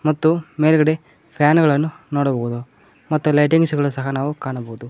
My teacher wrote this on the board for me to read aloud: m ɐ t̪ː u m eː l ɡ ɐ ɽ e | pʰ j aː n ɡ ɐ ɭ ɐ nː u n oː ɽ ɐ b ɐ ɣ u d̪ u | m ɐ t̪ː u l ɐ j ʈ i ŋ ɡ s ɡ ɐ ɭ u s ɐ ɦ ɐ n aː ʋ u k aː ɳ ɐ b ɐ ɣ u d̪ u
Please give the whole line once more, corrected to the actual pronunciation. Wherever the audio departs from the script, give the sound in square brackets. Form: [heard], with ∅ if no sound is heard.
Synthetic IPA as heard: m ɐ t̪ː u m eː l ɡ ɐ ɽ e | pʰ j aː n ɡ ɐ ɭ ɐ nː u n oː ɽ ɐ b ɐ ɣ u d̪ u | m ɐ t̪ː u l ɐ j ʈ i ŋ ɡ s ɡ ɐ ɭ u s ɐ ɦ ɐ n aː ʋ u k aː ɳ ɐ b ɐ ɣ u d̪ u